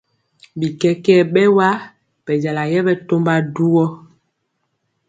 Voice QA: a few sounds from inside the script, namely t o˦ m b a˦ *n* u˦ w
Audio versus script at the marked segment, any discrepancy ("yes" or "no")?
yes